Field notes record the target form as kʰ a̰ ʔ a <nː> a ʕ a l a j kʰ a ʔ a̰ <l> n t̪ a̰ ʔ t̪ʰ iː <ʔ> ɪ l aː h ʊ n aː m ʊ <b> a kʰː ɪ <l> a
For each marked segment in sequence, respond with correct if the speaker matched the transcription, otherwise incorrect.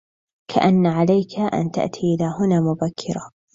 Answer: correct, incorrect: none, correct, correct, incorrect: ɾ

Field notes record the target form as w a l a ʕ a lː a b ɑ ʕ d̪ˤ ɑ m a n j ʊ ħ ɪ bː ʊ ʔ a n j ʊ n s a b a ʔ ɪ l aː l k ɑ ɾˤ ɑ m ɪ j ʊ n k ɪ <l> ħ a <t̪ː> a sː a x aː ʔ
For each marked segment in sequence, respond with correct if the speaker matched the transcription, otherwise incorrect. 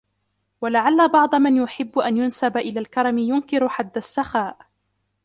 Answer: incorrect: ɾ, incorrect: d̪ː

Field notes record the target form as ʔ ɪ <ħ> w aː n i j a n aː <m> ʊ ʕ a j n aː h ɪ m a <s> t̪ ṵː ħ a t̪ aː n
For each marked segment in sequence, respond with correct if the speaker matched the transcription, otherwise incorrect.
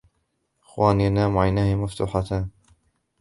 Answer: incorrect: x, correct, incorrect: f

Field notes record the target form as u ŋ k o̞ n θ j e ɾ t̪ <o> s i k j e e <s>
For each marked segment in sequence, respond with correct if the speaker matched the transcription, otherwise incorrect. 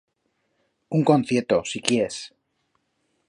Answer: correct, correct

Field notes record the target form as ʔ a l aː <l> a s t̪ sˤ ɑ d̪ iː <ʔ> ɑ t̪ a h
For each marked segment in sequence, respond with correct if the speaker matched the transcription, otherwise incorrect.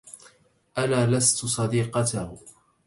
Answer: correct, incorrect: q

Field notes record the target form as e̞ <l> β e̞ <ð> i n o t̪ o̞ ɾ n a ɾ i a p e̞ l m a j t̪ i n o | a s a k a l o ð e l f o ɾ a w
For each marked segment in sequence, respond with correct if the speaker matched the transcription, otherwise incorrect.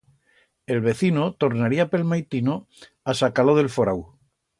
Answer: correct, incorrect: θ

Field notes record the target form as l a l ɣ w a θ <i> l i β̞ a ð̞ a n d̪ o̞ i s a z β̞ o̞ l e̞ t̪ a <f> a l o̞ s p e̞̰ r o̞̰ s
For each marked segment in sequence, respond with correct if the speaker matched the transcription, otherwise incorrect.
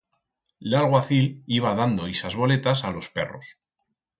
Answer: correct, incorrect: s

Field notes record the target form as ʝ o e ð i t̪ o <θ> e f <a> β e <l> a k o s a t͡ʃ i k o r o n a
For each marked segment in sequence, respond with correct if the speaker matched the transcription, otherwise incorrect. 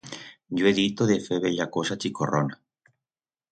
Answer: incorrect: ð, incorrect: e, incorrect: ʎ

